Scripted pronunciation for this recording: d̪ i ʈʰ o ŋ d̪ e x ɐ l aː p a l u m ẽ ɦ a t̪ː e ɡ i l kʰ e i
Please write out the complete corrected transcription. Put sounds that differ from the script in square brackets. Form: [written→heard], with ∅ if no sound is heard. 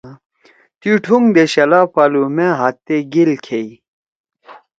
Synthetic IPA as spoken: [d̪→t̪] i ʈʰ [o→u] ŋ d̪ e [x→ɕ] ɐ l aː p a l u m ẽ ɦ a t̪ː e ɡ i l kʰ e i